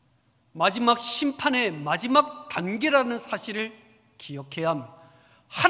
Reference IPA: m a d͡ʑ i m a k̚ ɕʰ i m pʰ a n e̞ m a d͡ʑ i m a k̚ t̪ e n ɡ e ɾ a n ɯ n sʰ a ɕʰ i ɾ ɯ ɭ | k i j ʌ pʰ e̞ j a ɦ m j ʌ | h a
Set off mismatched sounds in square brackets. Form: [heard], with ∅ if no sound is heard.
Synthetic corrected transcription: m a d͡ʑ i m a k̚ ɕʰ i m pʰ a n e̞ m a d͡ʑ i m a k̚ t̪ [a] n ɡ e ɾ a n ɯ n sʰ a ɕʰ i ɾ ɯ ɭ | k i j ʌ [kʰ] e̞ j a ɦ m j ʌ | h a